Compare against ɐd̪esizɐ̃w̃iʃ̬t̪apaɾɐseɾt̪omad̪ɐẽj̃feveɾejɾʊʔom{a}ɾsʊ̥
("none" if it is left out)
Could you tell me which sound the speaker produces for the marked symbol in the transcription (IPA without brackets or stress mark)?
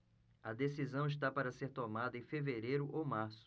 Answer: a